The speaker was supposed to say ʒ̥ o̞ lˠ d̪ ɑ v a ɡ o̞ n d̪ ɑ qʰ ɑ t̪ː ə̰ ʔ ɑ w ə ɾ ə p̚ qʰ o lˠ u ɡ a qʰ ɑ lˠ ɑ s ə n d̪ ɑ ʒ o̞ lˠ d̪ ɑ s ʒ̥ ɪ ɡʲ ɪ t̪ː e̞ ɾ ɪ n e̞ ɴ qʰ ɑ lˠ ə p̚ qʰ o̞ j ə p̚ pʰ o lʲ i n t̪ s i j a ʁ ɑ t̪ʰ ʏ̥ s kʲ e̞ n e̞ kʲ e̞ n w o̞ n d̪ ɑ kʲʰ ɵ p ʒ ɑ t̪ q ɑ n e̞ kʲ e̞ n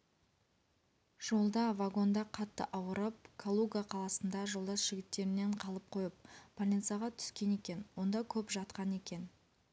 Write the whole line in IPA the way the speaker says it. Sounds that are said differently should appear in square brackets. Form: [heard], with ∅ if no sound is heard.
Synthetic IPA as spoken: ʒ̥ o̞ lˠ d̪ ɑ v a ɡ o̞ n d̪ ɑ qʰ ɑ t̪ː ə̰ ʔ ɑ w ə ɾ ə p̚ [kʰ] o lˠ u ɡ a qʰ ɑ lˠ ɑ s ə n d̪ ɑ ʒ o̞ lˠ d̪ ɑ s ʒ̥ ɪ ɡʲ ɪ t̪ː e̞ ɾ ɪ n e̞ ɴ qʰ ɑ lˠ ə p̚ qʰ o̞ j ə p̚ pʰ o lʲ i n t̪ s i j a ʁ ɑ t̪ʰ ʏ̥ s kʲ e̞ n e̞ kʲ e̞ n w o̞ n d̪ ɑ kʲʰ ɵ p ʒ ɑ t̪ q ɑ n e̞ kʲ e̞ n